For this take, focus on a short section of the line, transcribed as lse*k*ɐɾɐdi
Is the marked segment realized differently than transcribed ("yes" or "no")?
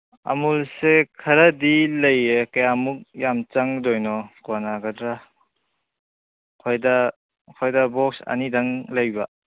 yes